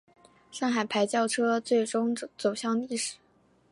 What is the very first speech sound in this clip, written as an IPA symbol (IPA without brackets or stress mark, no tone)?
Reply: ʂ